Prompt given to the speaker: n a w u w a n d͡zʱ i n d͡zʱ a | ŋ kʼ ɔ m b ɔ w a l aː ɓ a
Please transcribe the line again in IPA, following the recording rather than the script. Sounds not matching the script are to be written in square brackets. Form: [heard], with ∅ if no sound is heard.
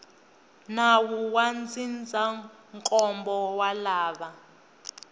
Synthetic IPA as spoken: n a w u w a n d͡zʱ i n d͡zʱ a | ŋ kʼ ɔ m b ɔ w a l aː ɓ a